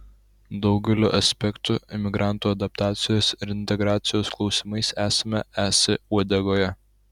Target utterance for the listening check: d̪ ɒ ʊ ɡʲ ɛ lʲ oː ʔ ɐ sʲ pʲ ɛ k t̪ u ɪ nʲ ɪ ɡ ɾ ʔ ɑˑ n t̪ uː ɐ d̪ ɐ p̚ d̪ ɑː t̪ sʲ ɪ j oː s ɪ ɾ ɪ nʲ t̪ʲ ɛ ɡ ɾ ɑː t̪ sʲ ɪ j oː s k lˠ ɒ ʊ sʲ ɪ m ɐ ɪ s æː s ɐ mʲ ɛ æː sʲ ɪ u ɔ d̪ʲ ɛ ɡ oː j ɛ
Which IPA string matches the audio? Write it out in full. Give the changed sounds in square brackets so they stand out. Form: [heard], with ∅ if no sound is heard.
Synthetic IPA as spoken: d̪ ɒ ʊ ɡʲ ɛ lʲ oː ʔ ɐ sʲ pʲ ɛ k t̪ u ɪ [mʲ] ɪ ɡ ɾ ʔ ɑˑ n t̪ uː ɐ d̪ ɐ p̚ [t̪] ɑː t̪ sʲ ɪ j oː s ɪ ɾ ɪ nʲ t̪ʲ ɛ ɡ ɾ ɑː t̪ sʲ ɪ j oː s k lˠ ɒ ʊ sʲ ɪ m ɐ ɪ s æː s ɐ mʲ ɛ æː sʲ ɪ u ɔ d̪ʲ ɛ ɡ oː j ɛ